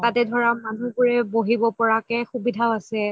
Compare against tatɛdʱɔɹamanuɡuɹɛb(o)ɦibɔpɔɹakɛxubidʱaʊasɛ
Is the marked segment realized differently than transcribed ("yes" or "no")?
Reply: no